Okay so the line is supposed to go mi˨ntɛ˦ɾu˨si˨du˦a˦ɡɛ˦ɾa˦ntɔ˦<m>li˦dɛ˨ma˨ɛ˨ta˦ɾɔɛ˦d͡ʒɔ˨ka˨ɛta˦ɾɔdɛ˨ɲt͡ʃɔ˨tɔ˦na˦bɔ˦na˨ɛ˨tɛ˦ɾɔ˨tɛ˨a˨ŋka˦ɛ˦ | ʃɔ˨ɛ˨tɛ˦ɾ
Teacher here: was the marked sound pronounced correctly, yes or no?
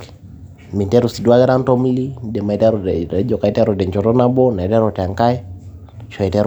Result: yes